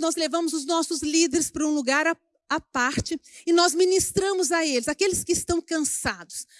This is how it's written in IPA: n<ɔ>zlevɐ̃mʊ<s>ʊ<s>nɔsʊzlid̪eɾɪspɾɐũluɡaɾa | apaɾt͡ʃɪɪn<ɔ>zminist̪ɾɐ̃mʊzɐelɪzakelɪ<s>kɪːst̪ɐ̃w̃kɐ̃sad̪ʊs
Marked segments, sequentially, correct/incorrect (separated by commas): correct, incorrect, incorrect, correct, correct